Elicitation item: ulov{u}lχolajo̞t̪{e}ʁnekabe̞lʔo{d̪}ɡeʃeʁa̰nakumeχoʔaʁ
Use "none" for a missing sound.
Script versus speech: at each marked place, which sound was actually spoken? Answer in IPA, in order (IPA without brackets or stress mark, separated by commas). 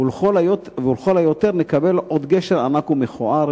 u, e, d̪